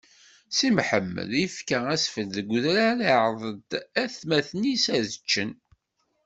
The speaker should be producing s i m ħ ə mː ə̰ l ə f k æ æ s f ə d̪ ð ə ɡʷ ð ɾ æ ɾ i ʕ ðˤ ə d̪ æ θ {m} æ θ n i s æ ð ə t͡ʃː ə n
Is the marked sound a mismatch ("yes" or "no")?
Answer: no